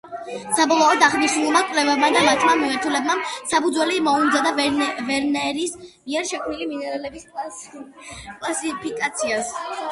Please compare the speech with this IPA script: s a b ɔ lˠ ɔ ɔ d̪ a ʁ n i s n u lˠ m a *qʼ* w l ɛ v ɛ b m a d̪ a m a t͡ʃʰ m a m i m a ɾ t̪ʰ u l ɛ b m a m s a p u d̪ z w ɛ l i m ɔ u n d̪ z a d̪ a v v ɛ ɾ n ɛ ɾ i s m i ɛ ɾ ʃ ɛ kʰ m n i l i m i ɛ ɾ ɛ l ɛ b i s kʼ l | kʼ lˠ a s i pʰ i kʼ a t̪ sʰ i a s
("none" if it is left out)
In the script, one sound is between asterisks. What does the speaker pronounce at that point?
kʼ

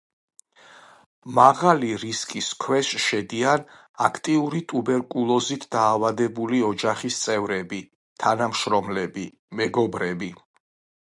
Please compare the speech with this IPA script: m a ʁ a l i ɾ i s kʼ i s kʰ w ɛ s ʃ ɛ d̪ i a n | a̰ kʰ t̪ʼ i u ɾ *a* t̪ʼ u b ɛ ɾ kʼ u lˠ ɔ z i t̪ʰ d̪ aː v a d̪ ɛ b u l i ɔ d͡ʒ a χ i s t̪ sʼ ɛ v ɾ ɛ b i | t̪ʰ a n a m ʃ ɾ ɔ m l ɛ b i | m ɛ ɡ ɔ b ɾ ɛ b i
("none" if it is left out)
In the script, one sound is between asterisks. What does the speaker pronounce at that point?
i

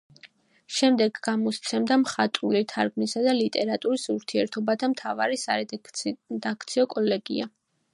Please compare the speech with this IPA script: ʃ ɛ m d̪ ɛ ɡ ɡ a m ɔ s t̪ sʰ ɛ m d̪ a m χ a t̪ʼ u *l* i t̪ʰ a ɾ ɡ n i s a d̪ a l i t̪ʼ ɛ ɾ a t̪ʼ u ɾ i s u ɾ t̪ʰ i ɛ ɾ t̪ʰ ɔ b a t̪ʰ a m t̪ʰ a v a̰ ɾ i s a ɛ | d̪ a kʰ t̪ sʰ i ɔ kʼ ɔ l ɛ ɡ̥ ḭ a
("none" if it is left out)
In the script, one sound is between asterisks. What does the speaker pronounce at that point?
l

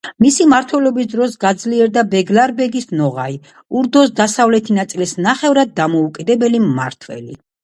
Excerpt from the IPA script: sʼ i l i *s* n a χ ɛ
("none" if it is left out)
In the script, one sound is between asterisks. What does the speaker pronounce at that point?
s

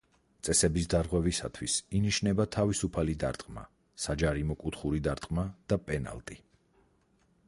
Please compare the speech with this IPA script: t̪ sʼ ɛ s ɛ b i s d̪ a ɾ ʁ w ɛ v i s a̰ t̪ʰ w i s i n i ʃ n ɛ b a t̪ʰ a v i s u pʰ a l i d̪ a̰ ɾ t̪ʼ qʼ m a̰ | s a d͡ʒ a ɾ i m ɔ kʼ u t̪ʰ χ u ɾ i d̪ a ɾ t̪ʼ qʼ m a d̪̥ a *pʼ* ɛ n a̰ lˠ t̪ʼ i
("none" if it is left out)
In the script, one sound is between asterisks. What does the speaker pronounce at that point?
pʼ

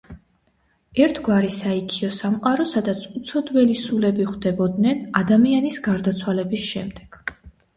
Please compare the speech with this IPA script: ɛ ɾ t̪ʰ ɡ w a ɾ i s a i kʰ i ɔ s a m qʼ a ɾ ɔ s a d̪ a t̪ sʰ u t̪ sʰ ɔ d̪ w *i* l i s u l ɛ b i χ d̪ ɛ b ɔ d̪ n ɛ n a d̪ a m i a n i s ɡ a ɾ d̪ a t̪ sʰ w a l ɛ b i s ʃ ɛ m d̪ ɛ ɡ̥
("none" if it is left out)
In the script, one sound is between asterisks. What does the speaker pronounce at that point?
ɛ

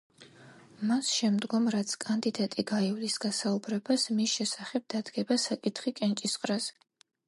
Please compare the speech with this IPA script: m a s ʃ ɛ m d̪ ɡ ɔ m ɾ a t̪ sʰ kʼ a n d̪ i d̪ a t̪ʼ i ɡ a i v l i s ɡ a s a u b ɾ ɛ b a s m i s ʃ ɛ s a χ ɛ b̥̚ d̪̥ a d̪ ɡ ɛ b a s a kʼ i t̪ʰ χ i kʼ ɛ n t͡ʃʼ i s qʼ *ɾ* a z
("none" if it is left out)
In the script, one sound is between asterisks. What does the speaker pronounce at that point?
ɾ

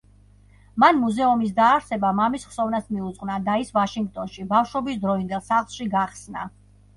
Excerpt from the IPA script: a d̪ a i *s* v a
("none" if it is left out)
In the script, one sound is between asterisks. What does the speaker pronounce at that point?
s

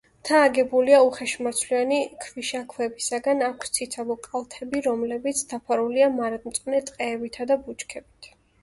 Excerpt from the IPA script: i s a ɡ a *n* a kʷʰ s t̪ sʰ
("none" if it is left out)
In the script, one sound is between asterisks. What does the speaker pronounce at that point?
n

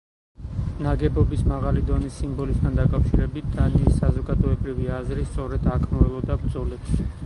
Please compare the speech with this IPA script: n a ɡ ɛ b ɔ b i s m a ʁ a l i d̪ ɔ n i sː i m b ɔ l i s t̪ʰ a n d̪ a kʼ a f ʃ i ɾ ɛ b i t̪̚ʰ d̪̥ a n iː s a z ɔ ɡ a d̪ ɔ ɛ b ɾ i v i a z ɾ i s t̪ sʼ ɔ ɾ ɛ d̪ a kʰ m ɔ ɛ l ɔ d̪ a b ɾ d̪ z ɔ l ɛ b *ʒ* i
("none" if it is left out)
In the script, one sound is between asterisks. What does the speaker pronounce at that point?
ʃ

